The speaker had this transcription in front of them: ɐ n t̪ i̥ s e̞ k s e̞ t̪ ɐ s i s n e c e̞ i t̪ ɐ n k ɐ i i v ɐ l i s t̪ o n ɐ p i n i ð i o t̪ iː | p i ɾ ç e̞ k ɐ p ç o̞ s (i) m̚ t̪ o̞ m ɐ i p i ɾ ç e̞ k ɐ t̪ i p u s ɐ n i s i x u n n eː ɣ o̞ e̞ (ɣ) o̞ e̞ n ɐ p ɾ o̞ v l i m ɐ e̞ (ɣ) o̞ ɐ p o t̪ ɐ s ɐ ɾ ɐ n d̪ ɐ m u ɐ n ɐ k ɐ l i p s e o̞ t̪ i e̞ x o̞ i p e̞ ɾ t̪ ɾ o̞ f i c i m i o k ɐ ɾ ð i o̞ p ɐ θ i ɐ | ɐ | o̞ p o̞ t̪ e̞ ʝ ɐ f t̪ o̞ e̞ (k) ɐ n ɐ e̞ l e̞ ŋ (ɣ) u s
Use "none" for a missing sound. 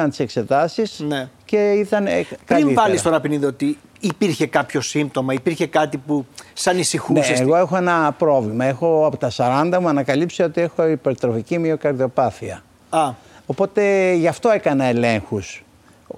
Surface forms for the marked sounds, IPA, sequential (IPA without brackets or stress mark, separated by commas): i, x, x, k, x